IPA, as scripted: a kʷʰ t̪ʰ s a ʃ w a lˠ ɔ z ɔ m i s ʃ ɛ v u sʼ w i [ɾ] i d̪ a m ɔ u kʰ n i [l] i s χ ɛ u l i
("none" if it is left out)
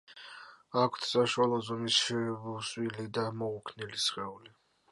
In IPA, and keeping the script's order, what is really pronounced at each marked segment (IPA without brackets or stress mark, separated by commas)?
l, l